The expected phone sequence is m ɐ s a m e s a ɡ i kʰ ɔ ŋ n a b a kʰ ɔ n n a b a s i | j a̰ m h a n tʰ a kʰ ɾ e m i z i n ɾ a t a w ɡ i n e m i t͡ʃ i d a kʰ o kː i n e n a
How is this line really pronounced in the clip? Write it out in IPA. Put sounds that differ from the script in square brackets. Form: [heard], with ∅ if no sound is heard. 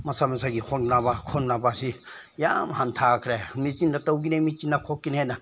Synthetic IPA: m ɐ s a m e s a ɡ i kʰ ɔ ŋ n a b a kʰ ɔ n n a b a s i | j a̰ m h a n tʰ a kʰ ɾ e m i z i n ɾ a t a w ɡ i n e m i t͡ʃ i [n] a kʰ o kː i n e n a